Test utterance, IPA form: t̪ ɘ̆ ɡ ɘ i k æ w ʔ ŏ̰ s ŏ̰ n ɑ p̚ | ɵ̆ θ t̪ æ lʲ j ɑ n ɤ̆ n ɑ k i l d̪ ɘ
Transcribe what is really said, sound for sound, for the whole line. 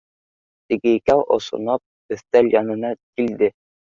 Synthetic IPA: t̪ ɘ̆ ɡ ɘ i k æ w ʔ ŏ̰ s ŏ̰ n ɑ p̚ | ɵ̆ θ t̪ æ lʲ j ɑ n ɤ̆ n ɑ k i l d̪ ɘ